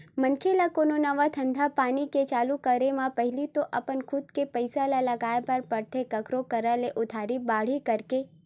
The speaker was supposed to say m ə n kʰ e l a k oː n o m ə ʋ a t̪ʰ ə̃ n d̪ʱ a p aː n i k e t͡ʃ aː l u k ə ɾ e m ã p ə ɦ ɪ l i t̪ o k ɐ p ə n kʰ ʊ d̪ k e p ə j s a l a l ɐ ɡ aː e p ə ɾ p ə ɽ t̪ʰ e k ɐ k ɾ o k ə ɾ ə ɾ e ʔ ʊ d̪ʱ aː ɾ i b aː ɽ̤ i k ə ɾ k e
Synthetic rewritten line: m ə n kʰ e l a k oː n o n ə ʋ a t̪ʰ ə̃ n d̪ʱ a p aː n i k e t͡ʃ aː l u k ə ɾ e m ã p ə ɦ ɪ l i t̪ o ʔ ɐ p ə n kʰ ʊ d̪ k e p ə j s a l a l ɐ ɡ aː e p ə ɾ p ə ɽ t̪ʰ e k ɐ k ɾ o k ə ɾ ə l e ʔ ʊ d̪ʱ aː ɾ i b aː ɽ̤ i k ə ɾ k e